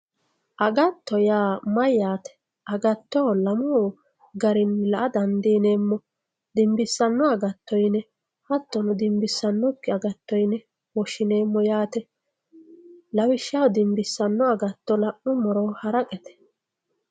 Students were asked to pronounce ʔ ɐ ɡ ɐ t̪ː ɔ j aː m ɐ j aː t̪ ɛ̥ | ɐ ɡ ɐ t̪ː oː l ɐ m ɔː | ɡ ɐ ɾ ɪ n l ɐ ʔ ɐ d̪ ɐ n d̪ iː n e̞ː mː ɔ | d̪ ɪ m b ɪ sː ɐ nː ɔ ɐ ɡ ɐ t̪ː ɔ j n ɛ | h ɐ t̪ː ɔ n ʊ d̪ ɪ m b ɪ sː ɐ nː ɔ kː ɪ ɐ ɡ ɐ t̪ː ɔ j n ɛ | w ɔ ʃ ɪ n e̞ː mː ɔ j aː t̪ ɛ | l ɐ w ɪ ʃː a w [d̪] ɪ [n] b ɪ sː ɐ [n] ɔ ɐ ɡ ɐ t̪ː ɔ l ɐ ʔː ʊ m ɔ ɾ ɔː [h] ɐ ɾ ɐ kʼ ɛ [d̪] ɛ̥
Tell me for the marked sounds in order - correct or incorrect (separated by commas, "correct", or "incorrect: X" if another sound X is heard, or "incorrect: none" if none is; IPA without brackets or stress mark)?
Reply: correct, incorrect: m, incorrect: nː, correct, incorrect: t̪